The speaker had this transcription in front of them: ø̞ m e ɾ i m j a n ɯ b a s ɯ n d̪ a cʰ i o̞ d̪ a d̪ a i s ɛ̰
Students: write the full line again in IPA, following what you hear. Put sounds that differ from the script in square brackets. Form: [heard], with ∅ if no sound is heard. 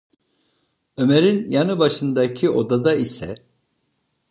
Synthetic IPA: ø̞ m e ɾ i [n] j a n ɯ b a [ʃ] ɯ n d̪ a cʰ i o̞ d̪ a d̪ a i s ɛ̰